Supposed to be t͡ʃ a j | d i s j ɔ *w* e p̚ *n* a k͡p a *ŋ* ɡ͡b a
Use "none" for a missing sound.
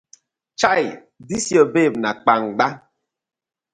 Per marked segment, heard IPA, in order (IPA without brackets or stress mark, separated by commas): b, n, ŋ